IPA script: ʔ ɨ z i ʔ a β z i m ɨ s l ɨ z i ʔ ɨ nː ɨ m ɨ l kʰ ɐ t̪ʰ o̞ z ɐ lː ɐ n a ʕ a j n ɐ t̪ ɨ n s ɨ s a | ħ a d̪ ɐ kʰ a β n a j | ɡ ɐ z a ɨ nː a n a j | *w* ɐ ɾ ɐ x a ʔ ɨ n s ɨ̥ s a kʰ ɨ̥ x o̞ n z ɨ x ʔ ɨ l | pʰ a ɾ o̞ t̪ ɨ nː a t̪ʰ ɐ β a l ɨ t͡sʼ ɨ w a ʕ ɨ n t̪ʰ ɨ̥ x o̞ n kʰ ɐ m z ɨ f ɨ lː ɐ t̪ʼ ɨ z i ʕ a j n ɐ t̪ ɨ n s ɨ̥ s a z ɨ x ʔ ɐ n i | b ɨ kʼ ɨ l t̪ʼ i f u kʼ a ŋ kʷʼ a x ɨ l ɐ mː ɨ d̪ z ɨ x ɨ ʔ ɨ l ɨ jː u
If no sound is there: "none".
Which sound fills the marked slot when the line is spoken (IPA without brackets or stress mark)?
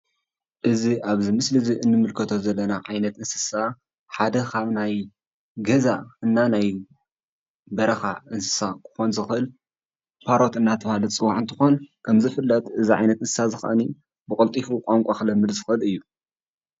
b